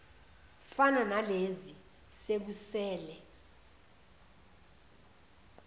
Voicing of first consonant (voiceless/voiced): voiceless